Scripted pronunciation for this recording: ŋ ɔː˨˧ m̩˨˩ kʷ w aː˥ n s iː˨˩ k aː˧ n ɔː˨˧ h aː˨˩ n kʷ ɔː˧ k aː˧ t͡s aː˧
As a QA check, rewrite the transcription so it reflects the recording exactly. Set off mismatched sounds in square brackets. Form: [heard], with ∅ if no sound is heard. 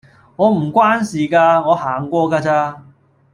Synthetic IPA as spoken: ŋ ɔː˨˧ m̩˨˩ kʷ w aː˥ n s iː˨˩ k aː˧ [ŋ] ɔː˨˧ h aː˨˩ [ŋ] kʷ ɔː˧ k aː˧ t͡s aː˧